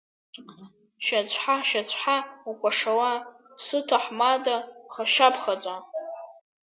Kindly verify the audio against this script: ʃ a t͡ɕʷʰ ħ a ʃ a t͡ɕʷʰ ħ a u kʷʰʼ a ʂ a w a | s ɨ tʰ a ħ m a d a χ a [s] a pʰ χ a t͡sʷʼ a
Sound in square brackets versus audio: incorrect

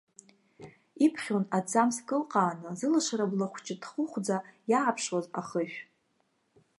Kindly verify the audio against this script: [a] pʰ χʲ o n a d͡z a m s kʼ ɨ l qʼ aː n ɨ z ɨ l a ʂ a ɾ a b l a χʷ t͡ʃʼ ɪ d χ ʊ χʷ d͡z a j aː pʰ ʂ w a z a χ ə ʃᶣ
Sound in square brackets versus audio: incorrect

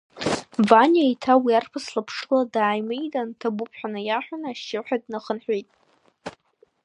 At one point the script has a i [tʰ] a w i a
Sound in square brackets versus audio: correct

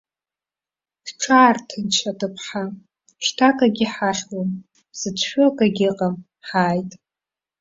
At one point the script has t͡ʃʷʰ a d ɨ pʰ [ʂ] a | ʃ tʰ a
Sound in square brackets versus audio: incorrect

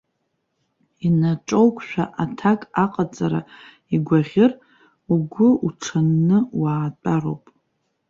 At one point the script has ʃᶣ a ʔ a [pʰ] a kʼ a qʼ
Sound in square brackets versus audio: incorrect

